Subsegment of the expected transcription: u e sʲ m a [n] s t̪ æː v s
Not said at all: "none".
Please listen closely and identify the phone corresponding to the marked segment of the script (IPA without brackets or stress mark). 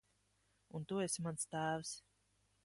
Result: n